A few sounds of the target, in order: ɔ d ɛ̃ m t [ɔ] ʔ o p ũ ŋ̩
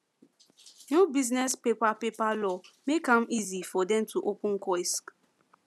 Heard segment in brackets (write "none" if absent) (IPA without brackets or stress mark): u